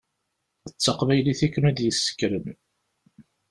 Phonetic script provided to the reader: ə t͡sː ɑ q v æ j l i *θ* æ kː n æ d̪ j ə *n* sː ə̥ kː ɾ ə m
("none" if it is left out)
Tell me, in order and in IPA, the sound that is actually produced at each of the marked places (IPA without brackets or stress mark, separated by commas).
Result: θ, none